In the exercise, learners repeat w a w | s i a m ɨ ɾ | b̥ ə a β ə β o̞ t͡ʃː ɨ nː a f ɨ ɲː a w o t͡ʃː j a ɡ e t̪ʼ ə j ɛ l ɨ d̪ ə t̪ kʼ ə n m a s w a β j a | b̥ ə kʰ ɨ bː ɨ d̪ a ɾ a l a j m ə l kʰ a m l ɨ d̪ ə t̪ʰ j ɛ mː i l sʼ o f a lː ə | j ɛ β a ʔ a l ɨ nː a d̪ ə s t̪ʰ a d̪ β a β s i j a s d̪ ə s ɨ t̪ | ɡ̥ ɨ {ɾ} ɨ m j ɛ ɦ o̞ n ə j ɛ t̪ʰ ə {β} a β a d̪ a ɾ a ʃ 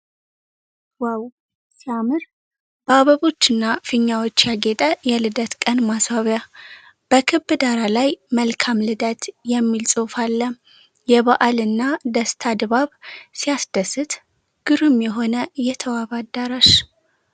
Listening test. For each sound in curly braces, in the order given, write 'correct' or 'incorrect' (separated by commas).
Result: correct, incorrect